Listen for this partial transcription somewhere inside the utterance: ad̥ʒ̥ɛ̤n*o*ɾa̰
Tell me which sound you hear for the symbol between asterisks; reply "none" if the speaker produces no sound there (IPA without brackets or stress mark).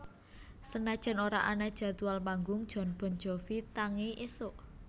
o